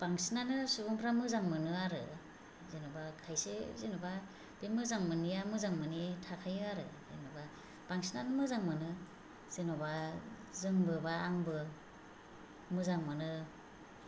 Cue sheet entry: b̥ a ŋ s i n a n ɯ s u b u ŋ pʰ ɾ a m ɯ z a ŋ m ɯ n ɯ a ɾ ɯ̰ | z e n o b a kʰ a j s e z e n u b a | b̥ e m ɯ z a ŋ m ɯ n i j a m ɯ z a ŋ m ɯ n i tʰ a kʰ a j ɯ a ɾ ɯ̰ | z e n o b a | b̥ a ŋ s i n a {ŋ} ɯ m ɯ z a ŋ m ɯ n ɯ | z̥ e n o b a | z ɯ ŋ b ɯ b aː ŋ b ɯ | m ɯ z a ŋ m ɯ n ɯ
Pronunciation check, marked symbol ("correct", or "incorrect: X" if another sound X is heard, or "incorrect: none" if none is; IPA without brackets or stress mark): incorrect: n